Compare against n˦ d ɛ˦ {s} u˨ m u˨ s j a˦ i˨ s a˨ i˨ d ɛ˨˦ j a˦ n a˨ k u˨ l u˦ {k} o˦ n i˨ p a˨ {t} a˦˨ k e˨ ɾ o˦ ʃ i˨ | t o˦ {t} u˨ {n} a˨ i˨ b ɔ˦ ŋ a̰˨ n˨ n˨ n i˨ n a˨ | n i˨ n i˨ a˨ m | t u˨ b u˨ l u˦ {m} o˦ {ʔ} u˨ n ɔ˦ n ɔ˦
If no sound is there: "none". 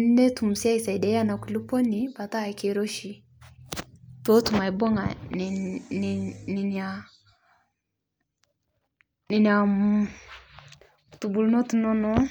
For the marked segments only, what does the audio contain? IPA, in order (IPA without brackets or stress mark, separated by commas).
t, p, t, t, m, n, t